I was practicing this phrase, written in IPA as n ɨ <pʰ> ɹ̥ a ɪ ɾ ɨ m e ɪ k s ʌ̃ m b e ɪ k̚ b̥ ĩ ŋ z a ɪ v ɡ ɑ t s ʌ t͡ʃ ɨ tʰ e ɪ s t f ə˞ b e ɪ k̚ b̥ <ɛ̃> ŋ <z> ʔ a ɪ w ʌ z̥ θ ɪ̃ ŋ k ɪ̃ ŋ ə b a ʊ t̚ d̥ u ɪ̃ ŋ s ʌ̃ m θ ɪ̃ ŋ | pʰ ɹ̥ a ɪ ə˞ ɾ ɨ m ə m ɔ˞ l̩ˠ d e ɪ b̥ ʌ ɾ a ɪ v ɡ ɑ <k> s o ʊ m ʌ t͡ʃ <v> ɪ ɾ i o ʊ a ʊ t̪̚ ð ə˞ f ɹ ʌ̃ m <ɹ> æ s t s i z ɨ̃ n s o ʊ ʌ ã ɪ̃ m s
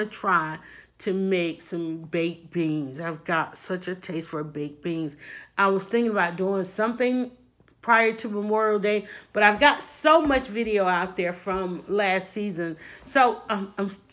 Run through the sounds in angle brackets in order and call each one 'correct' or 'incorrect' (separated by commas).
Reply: incorrect, incorrect, correct, incorrect, correct, incorrect